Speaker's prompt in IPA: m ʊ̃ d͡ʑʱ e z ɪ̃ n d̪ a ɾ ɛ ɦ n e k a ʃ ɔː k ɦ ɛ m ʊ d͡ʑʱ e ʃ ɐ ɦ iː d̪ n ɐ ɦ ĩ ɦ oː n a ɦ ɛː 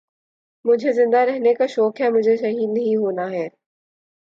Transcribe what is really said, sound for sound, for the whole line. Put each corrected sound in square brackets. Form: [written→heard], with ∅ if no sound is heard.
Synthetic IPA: m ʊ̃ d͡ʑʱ e z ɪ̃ n d̪ a ɾ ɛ ɦ n e k a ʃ ɔː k ɦ ɛ m ʊ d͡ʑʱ e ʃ ɐ ɦ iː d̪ n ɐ ɦ ĩ ɦ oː n a ɦ ɛː